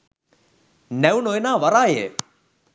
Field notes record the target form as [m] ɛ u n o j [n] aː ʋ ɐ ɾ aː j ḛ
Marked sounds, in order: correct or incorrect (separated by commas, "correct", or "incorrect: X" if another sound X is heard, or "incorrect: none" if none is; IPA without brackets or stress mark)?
incorrect: n, correct